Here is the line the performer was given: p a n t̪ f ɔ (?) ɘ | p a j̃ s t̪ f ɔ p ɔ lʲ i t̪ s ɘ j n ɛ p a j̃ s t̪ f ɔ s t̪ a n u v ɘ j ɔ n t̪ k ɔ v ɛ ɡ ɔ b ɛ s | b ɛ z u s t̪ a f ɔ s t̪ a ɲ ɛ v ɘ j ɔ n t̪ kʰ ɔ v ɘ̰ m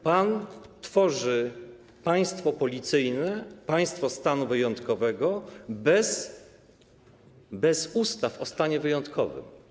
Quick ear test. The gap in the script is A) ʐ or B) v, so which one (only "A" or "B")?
A